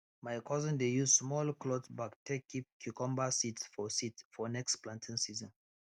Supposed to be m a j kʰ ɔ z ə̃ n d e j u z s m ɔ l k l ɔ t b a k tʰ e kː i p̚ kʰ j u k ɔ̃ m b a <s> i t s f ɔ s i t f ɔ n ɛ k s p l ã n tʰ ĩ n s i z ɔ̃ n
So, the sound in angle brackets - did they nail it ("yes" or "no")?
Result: yes